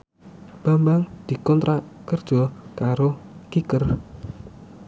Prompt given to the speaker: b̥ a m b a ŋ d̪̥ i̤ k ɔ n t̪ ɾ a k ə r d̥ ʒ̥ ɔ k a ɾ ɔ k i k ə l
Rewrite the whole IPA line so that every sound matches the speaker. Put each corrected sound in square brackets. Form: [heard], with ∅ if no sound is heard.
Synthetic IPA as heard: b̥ a m b a ŋ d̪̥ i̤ k ɔ n t̪ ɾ a k ə r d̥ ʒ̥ ɔ k a ɾ [o] k i k ə [r]

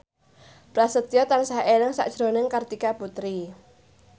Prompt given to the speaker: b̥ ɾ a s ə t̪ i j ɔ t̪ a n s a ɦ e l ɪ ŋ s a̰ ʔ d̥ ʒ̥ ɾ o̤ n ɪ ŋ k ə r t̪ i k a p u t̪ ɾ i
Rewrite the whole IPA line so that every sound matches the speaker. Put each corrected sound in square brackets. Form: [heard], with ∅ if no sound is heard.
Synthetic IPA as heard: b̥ ɾ a s ə t̪ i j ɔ t̪ a n s a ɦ e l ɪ ŋ s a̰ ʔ d̥ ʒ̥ ɾ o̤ n ɪ ŋ k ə r t̪ i k a p u t̪ ɾ i

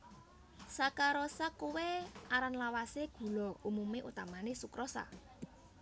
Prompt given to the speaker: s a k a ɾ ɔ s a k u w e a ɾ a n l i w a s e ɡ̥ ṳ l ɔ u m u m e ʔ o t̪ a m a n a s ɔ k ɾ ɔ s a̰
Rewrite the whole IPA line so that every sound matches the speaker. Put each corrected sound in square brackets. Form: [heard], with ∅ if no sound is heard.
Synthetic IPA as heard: s a k a ɾ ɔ s a k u w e a ɾ a n l [a] w a s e ɡ̥ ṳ l ɔ u m u m e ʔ [u] t̪ a m a n [e] s [u] k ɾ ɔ s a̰

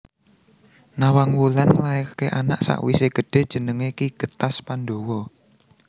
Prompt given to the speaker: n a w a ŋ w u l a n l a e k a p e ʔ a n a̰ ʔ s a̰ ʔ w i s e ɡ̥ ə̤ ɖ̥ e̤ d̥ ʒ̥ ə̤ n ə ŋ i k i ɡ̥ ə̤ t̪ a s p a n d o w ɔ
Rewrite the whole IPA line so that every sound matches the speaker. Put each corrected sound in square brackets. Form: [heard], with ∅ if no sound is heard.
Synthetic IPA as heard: n a w a ŋ w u l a n l a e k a [k] e ʔ a n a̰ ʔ s a̰ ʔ w i s e ɡ̥ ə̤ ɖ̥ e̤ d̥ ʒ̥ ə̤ n ə ŋ [e] k i ɡ̥ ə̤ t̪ a s p a n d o w ɔ

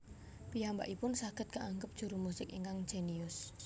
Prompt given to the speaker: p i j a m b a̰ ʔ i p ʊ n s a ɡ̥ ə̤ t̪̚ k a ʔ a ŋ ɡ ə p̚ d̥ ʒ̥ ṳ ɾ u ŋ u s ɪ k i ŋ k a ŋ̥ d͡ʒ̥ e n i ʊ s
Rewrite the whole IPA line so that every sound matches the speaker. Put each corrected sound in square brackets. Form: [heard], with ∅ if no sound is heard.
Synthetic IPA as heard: p i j a m b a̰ ʔ i p ʊ n s a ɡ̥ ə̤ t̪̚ k a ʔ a ŋ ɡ ə p̚ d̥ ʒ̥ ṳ ɾ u [m] u s ɪ k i ŋ k a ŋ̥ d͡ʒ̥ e n i ʊ s

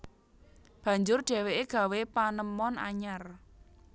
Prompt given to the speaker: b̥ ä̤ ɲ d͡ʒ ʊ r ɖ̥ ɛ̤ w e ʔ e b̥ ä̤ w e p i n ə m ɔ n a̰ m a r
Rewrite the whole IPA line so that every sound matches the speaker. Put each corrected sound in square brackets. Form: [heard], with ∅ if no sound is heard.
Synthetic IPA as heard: b̥ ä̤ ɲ d͡ʒ ʊ r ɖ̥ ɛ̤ w e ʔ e [ɡ̥] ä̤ w e p [a] n ə m ɔ n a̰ [ɲ] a r

